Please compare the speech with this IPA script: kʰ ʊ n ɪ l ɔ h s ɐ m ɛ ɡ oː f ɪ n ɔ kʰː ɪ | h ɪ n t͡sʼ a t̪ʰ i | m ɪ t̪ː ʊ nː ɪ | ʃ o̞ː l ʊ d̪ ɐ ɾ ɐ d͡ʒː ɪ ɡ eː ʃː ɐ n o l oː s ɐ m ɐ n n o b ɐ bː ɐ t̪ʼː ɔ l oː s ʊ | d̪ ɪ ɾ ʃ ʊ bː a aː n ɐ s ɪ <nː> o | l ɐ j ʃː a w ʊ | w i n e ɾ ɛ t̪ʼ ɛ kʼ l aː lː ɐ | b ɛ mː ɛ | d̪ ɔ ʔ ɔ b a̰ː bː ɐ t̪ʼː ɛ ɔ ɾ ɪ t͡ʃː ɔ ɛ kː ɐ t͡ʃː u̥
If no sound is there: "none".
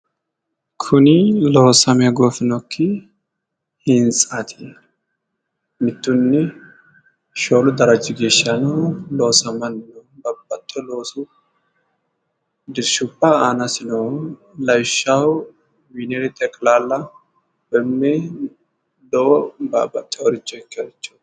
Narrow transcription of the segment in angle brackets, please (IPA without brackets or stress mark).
n